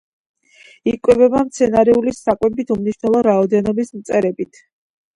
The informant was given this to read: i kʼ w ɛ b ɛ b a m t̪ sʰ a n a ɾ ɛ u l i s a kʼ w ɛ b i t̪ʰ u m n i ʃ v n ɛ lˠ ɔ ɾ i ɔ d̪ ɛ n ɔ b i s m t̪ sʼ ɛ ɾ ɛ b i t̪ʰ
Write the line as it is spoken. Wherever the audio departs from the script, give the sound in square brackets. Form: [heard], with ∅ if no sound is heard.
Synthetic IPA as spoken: i kʼ w ɛ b ɛ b a m t̪ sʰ [ɛ] n a ɾ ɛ u l i s a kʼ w ɛ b i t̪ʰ u m n i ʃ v n ɛ lˠ ɔ ɾ [a] ɔ d̪ ɛ n ɔ b i s m t̪ sʼ ɛ ɾ ɛ b i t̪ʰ